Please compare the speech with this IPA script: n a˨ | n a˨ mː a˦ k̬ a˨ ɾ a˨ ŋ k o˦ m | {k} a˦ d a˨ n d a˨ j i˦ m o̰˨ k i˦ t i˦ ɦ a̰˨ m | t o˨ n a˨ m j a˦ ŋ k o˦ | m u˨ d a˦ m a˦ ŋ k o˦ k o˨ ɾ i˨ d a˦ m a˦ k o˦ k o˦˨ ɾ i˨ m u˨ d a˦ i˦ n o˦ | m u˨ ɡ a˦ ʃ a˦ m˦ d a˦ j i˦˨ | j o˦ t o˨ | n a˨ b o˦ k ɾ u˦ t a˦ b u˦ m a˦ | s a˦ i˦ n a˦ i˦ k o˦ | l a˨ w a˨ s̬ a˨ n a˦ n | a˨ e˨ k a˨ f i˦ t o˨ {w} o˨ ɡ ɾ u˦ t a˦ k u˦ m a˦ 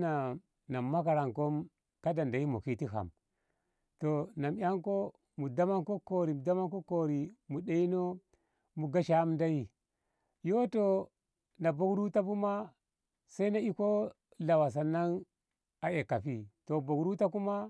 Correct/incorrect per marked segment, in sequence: correct, incorrect

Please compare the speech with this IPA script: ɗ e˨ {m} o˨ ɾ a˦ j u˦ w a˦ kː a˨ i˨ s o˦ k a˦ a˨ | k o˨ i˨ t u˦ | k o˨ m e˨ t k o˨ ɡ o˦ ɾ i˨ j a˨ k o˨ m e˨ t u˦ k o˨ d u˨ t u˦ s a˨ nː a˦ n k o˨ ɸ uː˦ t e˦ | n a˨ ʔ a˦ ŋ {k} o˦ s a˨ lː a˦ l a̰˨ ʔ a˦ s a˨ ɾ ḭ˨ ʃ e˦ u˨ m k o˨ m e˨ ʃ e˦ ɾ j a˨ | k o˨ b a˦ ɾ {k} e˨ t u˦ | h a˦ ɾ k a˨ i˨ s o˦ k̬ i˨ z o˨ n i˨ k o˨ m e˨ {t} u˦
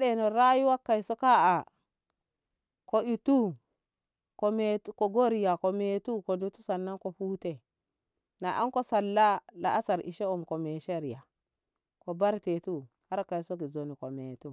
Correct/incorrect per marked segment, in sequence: incorrect, correct, incorrect, correct

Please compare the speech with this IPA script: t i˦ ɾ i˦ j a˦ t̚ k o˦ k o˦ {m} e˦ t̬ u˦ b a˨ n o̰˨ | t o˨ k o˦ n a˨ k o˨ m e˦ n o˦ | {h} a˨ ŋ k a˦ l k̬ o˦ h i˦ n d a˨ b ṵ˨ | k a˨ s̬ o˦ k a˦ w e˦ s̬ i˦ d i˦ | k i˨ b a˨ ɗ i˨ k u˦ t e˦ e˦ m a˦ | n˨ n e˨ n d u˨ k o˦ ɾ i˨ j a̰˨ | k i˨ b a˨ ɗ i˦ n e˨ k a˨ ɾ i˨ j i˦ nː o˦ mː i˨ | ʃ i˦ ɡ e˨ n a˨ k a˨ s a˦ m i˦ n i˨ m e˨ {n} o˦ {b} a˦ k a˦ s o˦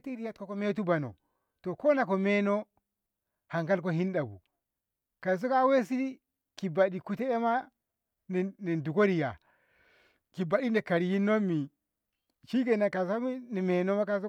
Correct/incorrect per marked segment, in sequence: correct, correct, correct, incorrect

